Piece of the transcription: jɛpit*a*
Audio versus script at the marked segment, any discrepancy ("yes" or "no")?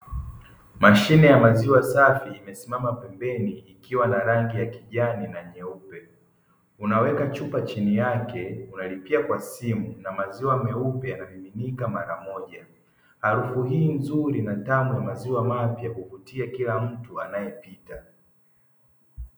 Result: no